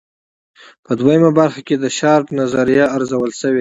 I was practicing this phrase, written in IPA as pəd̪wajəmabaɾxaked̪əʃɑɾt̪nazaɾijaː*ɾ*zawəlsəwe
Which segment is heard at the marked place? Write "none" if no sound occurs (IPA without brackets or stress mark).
ɾ